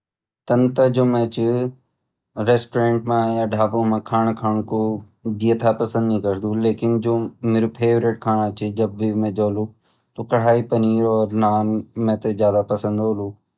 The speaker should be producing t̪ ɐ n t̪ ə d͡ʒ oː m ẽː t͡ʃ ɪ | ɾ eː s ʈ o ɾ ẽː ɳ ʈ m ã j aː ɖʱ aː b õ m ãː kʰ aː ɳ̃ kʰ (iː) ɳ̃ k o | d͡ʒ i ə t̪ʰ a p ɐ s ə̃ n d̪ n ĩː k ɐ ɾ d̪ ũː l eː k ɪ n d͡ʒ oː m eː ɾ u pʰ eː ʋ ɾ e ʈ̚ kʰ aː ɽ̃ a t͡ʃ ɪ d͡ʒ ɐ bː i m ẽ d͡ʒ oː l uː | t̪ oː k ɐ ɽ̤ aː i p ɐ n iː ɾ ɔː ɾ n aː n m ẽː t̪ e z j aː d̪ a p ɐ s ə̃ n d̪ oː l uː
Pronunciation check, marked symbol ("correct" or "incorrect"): incorrect